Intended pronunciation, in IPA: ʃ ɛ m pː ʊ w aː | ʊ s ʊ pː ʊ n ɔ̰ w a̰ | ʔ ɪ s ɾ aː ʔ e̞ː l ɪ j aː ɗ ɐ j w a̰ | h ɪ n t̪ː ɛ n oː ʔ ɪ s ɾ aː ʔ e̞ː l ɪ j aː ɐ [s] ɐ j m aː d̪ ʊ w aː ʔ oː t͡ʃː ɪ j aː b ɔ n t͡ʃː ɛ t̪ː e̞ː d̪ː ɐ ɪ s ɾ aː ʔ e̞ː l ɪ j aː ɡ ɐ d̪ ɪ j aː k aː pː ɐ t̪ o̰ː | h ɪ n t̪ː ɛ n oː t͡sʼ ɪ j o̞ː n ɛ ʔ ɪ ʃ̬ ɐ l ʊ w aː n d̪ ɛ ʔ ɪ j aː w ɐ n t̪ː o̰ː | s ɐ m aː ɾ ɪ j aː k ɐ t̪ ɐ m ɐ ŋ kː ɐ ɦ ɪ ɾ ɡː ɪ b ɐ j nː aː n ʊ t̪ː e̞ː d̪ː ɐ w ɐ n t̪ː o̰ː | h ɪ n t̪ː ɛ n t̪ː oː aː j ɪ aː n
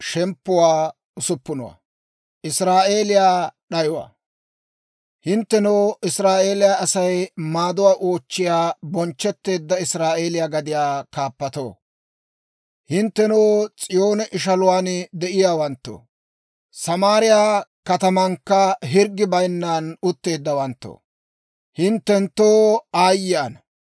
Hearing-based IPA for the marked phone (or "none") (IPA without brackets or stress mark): s